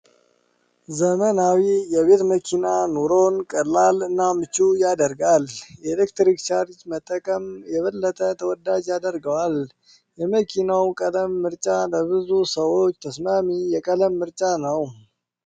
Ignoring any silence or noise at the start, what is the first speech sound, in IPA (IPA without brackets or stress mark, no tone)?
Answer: z